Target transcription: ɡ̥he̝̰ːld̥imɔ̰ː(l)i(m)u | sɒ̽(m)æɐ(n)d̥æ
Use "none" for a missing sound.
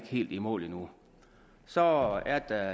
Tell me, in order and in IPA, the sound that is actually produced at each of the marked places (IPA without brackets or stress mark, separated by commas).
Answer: l, n, none, none